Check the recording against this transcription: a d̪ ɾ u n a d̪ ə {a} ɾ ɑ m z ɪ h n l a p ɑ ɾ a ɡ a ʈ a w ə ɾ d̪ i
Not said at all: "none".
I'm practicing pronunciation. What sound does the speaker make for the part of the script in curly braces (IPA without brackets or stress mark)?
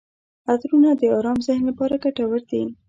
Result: ɑ